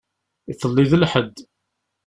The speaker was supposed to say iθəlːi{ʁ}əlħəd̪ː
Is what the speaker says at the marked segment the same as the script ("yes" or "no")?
no